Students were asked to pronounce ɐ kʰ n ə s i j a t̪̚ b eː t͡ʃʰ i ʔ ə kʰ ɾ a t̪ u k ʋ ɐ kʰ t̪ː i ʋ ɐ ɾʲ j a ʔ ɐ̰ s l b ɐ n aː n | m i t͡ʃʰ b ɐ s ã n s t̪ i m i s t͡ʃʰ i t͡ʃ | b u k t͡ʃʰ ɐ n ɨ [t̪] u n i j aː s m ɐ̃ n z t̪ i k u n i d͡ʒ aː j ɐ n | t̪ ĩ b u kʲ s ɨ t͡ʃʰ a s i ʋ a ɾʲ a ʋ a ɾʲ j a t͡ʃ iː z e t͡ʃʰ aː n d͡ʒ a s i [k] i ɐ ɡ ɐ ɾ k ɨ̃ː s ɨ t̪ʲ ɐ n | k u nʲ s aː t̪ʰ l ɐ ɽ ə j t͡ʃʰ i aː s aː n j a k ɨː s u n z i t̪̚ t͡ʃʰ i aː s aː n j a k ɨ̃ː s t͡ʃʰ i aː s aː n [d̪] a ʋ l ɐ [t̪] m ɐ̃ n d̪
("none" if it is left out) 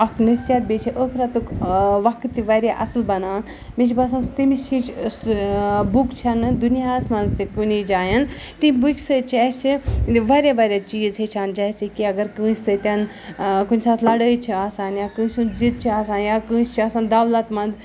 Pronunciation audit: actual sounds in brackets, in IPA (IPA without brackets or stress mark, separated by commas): d̪, k, d̪, t̪